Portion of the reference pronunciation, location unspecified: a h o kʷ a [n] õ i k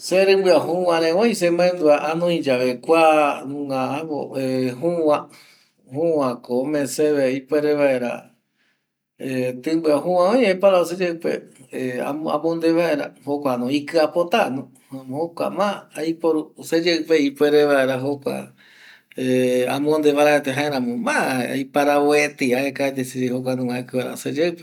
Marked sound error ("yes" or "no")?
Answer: no